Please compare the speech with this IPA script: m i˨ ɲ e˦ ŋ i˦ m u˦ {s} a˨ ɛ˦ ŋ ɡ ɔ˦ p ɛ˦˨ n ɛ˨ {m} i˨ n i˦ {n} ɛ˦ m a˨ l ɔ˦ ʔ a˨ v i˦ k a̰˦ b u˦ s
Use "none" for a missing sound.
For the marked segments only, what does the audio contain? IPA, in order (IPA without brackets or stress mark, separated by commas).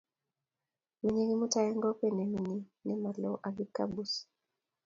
t, m, n